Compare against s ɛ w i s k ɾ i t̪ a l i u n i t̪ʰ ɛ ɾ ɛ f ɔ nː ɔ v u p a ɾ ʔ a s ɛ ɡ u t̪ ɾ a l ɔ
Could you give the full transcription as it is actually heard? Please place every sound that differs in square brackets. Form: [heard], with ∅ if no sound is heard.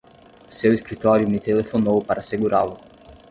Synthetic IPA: s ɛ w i s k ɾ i t̪ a [ɾ] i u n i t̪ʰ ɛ [l] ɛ f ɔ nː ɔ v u p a ɾ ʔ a s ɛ ɡ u [∅] ɾ a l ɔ

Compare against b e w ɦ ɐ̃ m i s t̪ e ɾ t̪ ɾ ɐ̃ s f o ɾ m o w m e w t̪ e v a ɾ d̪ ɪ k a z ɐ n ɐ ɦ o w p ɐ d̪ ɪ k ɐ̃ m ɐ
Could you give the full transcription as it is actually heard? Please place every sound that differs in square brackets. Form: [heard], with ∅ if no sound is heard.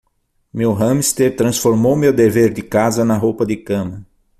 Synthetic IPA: [m] e w ɦ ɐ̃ m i s t̪ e ɾ t̪ ɾ ɐ̃ s f o ɾ m o w m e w [d̪] e v [e] ɾ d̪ ɪ k a z ɐ n ɐ ɦ o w p ɐ d̪ ɪ k ɐ̃ m ɐ

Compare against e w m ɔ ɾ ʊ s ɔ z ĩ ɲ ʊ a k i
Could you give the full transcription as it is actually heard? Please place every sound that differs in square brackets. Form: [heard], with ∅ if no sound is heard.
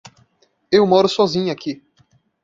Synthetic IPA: e w m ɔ ɾ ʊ s ɔ z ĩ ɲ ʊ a k i

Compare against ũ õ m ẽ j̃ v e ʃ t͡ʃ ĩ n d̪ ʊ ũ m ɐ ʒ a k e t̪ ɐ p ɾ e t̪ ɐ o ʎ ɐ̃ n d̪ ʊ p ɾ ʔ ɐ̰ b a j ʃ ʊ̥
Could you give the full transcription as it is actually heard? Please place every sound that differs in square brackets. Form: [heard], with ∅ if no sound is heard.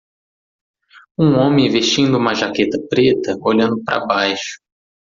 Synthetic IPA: ũ õ m ẽ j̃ v e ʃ t͡ʃ ĩ n d̪ ʊ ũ m ɐ ʒ a k e t̪ ɐ p ɾ e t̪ ɐ o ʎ ɐ̃ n d̪ ʊ p ɾ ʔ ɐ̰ b a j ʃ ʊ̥

